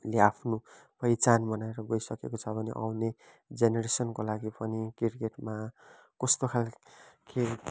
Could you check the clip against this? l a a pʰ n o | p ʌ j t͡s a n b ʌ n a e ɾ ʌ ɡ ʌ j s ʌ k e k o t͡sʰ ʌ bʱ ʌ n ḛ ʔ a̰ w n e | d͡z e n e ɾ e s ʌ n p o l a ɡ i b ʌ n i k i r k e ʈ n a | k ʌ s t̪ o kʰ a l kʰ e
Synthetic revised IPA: l e a pʰ n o | p ʌ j t͡s a n b ʌ n a e ɾ ʌ ɡ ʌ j s ʌ k e k o t͡sʰ ʌ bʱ ʌ n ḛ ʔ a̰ w n e | d͡z e n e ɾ e s ʌ n k o l a ɡ i p ʌ n i k i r k e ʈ m a | k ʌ s t̪ o kʰ a l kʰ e

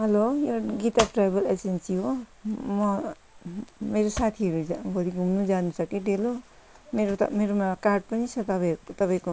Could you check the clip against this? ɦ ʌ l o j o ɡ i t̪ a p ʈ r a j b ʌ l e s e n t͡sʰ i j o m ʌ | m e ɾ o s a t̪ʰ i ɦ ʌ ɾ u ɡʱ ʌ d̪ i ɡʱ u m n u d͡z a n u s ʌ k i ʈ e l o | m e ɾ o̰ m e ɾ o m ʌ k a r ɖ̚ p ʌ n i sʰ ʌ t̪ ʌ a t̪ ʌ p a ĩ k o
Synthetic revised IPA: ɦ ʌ l o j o ɡ i t̪ a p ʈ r a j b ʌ l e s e n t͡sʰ i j o m ʌ | m e ɾ o s a t̪ʰ i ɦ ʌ ɾ u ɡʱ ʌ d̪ i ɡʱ u m n u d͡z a n u s ʌ k i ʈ e l o | m e ɾ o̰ m e ɾ o m a k a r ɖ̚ p ʌ n i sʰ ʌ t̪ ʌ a t̪ ʌ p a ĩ k o

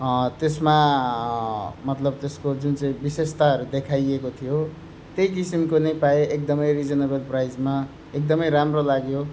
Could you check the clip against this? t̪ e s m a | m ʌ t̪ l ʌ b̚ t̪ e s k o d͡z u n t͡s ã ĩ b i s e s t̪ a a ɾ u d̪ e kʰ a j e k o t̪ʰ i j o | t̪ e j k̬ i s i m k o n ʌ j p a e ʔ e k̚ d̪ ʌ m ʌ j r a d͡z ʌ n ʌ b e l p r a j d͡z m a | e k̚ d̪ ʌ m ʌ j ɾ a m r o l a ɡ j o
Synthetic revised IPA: t̪ e s m a | m ʌ t̪ l ʌ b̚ t̪ e s k o d͡z u n t͡s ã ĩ b i s e s t̪ a ʌ ɾ u d̪ e kʰ a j e k o t̪ʰ i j o | t̪ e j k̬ i s i m k o n ʌ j p a e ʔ e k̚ d̪ ʌ m ʌ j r i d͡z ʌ n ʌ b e l p r a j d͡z m a | e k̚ d̪ ʌ m ʌ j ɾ a m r o l a ɡ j o

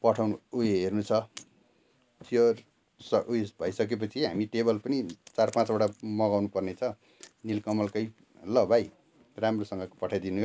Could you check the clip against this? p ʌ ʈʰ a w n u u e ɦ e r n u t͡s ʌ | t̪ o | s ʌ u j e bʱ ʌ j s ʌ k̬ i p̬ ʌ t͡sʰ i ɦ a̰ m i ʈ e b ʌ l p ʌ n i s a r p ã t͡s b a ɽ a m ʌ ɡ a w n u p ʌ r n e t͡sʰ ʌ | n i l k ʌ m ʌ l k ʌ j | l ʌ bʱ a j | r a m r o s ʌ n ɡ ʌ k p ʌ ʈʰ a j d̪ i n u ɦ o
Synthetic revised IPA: p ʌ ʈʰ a w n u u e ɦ e r n u t͡sʰ ʌ | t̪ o | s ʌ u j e bʱ ʌ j s ʌ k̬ e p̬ ʌ t͡sʰ i ɦ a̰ m i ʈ e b ʌ l p ʌ n i t͡s a r p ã t͡s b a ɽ a m ʌ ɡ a w n u p ʌ r n e t͡sʰ ʌ | n i l k ʌ m ʌ l k ʌ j | l ʌ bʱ a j | r a m r o s ʌ ŋ ɡ ʌ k p ʌ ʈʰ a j d̪ i n u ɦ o

